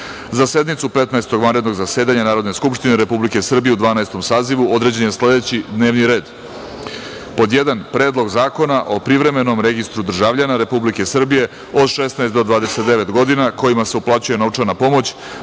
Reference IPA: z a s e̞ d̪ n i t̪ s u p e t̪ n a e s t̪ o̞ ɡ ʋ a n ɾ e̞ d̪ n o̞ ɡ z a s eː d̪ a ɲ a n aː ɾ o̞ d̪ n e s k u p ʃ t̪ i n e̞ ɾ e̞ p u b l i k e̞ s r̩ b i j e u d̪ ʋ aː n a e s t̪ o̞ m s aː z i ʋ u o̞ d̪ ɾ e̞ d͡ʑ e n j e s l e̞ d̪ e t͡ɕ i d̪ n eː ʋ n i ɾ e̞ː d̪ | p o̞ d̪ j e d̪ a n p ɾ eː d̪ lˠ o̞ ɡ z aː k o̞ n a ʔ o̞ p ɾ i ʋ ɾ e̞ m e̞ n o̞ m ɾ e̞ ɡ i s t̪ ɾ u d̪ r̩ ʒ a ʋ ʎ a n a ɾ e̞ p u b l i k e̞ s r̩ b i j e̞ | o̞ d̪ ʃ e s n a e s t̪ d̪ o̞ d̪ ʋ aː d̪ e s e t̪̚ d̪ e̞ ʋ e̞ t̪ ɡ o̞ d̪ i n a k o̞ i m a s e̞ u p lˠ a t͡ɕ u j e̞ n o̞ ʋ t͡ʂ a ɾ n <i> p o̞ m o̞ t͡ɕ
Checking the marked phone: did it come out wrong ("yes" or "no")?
yes